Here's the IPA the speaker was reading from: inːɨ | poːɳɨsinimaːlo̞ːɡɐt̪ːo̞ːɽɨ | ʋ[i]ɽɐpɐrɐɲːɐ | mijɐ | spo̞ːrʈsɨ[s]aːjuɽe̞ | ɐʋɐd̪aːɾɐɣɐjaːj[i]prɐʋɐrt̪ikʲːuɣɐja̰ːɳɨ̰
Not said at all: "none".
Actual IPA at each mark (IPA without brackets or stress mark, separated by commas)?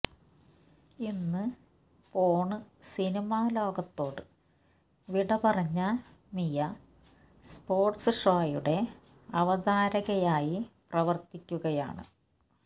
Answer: i, ʂ, i